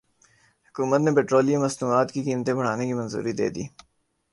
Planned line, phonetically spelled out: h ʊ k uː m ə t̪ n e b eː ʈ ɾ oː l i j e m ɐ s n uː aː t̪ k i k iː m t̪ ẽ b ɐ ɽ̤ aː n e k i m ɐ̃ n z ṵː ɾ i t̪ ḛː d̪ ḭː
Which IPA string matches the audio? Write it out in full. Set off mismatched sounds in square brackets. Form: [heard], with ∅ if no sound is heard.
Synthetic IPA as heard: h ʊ k uː m ə t̪ n e [p] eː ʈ ɾ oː l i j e m ɐ s n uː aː t̪ k i k iː m t̪ ẽ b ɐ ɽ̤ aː n e k i m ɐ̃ n z ṵː ɾ i [d̪] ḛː d̪ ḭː